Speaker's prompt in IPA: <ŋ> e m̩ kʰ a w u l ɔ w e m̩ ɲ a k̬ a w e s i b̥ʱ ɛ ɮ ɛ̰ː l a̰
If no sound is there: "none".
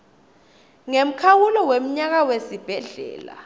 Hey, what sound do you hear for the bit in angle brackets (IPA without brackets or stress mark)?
ŋ